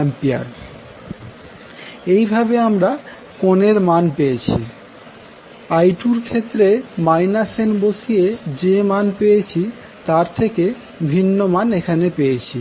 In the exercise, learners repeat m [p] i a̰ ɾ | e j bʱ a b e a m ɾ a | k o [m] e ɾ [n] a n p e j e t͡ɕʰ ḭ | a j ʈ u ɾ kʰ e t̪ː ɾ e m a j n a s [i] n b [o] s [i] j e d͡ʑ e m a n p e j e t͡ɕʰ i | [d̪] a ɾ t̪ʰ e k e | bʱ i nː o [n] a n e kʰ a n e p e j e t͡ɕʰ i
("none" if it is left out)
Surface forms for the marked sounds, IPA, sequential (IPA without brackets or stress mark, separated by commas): p, n, m, e, o, i, t̪, m